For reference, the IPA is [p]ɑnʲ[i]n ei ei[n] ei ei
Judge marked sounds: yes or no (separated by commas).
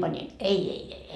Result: yes, yes, no